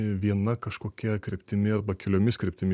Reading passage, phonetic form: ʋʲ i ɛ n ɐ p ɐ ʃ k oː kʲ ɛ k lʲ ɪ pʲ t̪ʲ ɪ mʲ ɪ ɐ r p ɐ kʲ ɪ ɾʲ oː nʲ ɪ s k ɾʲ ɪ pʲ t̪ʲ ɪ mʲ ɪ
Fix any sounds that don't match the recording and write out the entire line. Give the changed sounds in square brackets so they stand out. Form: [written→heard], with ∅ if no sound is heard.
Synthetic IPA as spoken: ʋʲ i ɛ n ɐ [p→k] ɐ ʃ k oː kʲ ɛ k [lʲ→ɾʲ] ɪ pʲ t̪ʲ ɪ mʲ ɪ ɐ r [p→b] ɐ kʲ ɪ [ɾʲ→lʲ] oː [nʲ→mʲ] ɪ s k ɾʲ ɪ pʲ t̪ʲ ɪ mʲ ɪ